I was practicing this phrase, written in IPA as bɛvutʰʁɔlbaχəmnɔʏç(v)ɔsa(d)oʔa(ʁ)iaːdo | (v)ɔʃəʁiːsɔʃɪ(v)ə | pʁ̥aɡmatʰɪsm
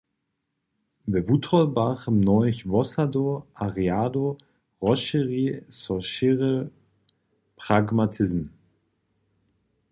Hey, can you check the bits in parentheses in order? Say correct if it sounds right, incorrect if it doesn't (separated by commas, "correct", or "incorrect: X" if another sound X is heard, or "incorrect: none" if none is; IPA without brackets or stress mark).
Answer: correct, correct, correct, incorrect: ʁ, incorrect: ʁ